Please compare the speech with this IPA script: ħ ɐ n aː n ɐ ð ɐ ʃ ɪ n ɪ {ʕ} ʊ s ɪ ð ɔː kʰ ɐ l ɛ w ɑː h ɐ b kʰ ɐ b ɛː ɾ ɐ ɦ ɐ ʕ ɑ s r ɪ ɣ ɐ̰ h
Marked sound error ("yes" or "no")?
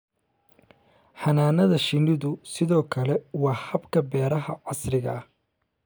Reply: yes